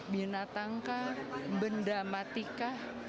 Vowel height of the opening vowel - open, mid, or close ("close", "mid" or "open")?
close